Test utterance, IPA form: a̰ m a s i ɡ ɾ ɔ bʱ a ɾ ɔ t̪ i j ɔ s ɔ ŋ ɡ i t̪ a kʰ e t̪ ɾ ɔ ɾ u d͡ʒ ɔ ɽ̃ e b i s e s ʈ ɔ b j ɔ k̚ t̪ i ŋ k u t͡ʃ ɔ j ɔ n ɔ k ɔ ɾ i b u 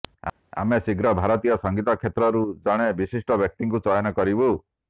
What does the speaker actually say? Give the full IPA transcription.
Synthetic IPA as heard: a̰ m e s i ɡ ɾ ɔ bʱ a ɾ ɔ t̪ i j ɔ s ɔ ŋ ɡ i t̪ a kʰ e t̪ ɾ ɔ ɾ u d͡ʒ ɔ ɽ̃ e b i s i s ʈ ɔ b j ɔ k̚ t̪ i ŋ k u t͡ʃ ɔ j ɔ n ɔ k ɔ ɾ i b u